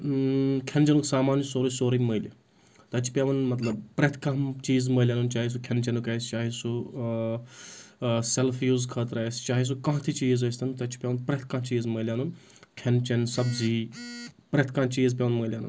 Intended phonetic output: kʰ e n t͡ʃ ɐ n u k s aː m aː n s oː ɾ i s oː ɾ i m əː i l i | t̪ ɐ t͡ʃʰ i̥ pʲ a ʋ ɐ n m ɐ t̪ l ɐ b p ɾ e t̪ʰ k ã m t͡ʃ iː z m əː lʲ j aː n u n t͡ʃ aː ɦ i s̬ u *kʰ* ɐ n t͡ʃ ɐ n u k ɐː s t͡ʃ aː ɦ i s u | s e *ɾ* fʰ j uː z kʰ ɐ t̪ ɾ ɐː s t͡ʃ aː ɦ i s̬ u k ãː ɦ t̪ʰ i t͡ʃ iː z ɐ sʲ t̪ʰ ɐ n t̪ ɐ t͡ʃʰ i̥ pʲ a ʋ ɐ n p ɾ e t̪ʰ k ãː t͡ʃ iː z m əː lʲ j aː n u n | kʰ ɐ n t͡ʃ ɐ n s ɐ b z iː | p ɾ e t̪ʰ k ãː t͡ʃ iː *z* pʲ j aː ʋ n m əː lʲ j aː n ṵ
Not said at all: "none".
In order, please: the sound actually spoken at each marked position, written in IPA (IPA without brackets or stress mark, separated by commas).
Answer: kʰ, l, z